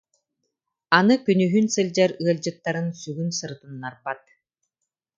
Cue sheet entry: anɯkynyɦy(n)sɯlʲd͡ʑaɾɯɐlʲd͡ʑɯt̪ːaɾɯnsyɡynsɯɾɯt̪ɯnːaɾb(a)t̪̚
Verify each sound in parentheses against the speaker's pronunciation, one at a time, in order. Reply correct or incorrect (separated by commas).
correct, correct